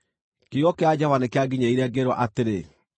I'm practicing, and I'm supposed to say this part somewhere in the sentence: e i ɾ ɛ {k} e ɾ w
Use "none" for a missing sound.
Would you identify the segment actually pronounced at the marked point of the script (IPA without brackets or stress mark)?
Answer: ɡ